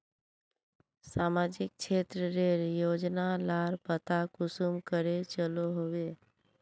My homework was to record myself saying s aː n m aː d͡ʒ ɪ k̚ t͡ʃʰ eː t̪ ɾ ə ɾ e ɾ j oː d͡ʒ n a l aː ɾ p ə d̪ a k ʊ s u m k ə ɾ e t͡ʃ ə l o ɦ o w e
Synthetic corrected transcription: s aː m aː d͡ʒ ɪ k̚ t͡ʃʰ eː t̪ ɾ ə ɾ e ɾ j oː d͡ʒ n a l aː ɾ p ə t̪ a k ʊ s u m k ə ɾ e t͡ʃ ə l o ɦ o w e